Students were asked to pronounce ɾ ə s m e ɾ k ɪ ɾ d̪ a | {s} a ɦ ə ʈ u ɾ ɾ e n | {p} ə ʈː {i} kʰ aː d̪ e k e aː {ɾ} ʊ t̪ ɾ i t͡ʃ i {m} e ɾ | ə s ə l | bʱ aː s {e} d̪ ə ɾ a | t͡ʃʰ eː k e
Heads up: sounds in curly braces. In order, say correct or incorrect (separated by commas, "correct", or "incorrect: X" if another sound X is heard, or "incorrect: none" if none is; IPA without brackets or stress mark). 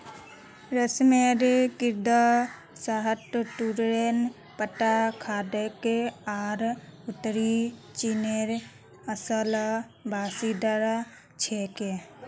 correct, correct, incorrect: a, correct, incorrect: n, incorrect: i